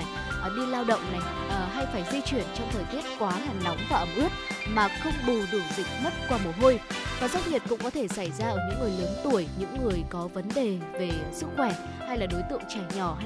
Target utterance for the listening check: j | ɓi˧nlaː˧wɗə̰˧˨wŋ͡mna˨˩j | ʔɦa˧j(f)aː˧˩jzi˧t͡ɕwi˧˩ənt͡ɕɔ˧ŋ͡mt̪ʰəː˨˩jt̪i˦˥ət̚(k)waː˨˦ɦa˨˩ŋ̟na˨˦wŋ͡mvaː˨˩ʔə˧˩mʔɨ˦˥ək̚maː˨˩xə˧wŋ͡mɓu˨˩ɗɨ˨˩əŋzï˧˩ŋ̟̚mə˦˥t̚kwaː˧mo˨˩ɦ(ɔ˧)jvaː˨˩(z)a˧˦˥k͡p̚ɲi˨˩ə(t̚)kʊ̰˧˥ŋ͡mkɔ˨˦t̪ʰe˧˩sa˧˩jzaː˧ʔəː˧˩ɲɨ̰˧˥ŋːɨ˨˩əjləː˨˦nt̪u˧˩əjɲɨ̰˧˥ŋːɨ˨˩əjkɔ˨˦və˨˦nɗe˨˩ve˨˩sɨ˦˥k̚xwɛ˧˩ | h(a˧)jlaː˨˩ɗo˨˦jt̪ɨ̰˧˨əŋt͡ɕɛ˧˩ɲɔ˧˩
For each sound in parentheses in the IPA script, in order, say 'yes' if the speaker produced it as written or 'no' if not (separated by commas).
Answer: yes, yes, no, yes, yes, yes